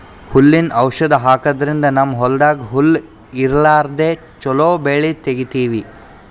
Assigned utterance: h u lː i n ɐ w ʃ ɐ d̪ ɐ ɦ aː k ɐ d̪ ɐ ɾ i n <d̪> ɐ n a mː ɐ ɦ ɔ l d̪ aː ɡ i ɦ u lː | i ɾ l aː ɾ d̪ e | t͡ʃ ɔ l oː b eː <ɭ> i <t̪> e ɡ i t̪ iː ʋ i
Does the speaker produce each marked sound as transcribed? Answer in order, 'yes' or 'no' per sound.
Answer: yes, yes, yes

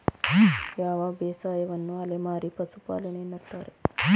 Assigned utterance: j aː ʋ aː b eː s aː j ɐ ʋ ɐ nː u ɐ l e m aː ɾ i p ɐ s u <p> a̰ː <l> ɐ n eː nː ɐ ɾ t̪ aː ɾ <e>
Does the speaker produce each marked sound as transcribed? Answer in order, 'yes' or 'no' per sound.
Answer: yes, yes, yes

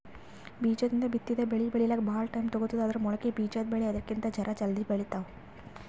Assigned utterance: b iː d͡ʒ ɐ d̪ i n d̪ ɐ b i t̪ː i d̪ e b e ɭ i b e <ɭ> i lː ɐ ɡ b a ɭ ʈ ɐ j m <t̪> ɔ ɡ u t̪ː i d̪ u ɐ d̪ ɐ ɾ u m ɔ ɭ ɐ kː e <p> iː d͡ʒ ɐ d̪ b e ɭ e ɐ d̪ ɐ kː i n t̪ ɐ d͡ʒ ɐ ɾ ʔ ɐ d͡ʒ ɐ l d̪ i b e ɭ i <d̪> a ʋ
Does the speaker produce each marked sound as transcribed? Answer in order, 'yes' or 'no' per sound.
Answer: yes, yes, no, no

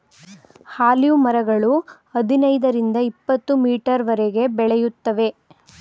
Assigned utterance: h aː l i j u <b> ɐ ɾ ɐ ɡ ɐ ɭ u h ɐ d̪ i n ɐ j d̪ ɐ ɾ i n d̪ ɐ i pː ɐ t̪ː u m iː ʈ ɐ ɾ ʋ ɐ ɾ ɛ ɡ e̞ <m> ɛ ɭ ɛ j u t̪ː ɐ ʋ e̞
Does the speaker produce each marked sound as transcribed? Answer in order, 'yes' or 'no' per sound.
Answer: no, no

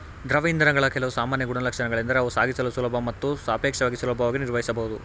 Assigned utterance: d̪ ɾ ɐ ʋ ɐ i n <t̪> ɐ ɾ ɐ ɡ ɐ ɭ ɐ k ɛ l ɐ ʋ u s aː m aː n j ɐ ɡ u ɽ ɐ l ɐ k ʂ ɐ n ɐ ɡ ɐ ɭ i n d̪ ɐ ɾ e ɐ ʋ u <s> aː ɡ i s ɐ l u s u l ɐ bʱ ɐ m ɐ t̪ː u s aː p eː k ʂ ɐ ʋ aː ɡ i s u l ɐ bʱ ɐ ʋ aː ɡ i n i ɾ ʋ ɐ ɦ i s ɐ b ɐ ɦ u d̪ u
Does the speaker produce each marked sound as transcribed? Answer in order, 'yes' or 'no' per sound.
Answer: no, yes

